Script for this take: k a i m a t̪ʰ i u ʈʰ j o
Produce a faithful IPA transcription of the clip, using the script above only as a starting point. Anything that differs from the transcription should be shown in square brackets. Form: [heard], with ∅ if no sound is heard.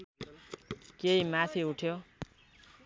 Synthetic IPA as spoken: k [e] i m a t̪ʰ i u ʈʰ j o